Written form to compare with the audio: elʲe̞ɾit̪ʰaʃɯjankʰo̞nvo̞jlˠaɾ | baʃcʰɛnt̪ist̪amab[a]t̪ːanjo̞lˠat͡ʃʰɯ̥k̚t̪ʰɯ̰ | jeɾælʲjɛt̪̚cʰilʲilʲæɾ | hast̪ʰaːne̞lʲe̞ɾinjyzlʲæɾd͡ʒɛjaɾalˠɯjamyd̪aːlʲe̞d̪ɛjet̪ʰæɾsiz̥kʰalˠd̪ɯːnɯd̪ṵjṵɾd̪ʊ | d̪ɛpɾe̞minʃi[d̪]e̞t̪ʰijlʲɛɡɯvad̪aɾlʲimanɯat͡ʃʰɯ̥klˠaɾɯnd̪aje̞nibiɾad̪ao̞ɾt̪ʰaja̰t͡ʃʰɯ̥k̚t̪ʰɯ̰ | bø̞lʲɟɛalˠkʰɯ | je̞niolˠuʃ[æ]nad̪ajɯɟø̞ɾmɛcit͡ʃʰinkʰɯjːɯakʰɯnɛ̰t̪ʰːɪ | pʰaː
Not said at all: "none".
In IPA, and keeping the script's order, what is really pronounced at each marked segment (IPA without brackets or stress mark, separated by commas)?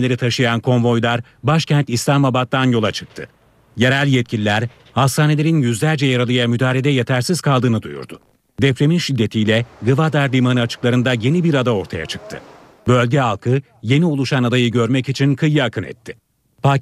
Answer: a, d̪ː, a